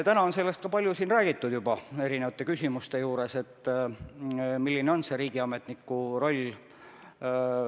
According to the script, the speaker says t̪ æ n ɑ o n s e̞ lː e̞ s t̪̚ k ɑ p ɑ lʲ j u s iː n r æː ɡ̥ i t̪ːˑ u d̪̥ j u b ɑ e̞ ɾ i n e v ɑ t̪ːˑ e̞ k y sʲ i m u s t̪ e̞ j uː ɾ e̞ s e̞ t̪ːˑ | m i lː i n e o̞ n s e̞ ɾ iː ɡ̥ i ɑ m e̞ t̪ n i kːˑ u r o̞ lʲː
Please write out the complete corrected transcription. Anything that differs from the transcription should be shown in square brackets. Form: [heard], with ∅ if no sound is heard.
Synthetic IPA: t̪ æ n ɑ o n s e̞ lː e̞ s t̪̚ k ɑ p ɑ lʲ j u s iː n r æː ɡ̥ i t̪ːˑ u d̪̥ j u b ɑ e̞ ɾ i n e v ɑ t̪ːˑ e̞ k y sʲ i m u s t̪ e̞ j uː ɾ e̞ s e̞ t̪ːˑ | m i lː i n e o̞ n s e̞ ɾ iː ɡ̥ i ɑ m e̞ t̪ n i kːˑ u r o̞ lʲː